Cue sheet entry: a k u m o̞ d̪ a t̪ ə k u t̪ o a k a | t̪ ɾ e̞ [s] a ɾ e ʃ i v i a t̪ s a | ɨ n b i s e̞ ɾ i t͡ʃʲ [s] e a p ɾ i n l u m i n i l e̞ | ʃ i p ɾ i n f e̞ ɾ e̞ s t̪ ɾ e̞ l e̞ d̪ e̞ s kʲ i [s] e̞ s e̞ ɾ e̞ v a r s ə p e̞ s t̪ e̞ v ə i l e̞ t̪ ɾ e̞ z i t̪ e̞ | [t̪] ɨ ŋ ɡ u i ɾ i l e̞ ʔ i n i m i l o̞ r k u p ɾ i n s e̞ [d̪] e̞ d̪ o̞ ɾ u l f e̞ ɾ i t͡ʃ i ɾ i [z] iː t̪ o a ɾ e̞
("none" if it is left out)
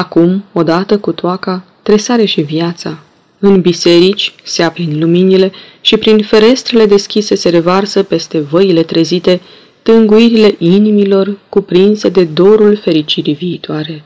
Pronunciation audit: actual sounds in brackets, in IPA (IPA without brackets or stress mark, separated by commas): s, s, s, t̪, d̪, v